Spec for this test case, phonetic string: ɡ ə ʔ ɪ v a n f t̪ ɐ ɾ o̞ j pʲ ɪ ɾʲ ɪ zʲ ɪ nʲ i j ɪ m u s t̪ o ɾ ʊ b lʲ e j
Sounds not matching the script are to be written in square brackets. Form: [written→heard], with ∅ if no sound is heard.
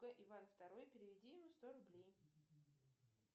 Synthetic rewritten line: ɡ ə ʔ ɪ v a n f t̪ ɐ ɾ o̞ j pʲ ɪ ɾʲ ɪ [zʲ→vʲ] ɪ [nʲ→dʲ] i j ɪ m u s t̪ o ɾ ʊ b lʲ e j